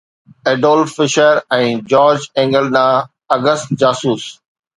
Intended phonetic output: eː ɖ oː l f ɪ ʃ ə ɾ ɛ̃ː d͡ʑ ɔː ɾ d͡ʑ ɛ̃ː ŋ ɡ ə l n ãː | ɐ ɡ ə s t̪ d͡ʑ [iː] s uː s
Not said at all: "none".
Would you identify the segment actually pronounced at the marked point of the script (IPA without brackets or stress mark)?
aː